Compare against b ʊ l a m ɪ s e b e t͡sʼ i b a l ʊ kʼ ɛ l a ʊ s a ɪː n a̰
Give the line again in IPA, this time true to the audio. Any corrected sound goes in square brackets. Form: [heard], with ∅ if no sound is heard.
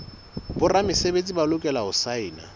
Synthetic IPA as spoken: b ʊ [r] a m ɪ s e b e t͡sʼ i b a l ʊ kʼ ɛ l a ʊ s a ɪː n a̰